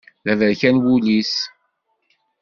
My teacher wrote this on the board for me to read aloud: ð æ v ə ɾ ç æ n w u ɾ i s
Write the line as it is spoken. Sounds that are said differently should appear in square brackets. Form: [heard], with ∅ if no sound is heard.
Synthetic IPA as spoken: ð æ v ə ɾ ç æ n w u [l] i s